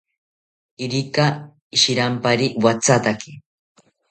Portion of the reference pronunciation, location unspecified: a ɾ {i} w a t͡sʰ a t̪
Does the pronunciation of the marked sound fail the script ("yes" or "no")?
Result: no